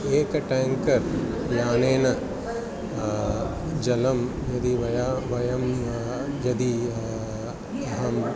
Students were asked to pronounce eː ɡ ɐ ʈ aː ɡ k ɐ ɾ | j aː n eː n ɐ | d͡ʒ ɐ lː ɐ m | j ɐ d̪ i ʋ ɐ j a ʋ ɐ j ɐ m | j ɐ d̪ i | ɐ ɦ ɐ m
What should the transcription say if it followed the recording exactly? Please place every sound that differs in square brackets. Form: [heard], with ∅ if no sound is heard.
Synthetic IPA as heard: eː [k] ɐ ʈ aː [ŋ] k ɐ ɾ | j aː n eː n ɐ | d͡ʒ ɐ [l] ɐ m | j ɐ d̪ i ʋ ɐ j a ʋ ɐ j ɐ m | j ɐ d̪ i | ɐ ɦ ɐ m